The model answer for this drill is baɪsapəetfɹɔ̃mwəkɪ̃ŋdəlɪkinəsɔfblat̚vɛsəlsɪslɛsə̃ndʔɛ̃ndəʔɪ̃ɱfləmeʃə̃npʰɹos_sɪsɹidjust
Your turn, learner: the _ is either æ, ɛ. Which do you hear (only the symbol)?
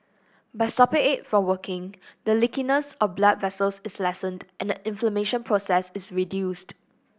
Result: ɛ